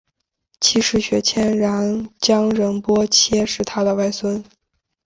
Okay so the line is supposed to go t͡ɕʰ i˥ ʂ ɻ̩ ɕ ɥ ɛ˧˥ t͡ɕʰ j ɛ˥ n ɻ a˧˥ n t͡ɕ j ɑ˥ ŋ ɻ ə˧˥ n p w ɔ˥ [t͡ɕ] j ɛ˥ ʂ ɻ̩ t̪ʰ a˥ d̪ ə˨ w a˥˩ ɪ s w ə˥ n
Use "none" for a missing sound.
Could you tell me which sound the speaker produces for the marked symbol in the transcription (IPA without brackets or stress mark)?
t͡ɕʰ